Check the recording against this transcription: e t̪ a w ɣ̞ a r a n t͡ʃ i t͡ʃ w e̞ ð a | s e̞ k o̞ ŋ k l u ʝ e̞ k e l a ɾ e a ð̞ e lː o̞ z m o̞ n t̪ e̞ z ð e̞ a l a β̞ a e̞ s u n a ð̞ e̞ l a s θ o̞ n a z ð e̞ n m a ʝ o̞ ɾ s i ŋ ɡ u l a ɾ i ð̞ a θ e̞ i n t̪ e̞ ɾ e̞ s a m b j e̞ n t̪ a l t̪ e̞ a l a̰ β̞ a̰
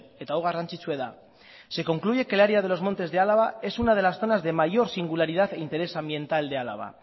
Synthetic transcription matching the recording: e t̪ a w ɣ̞ a r a n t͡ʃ i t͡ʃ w e̞ ð a | s e̞ k o̞ ŋ k l u ʝ e̞ k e l a ɾ e a ð̞ e l o̞ z m o̞ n t̪ e̞ z ð e̞ a l a β̞ a e̞ s u n a ð̞ e̞ l a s θ o̞ n a z ð e̞ m a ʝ o̞ ɾ s i ŋ ɡ u l a ɾ i ð̞ a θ e̞ i n t̪ e̞ ɾ e̞ s a m b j e̞ n t̪ a l d̪ e̞ a l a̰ β̞ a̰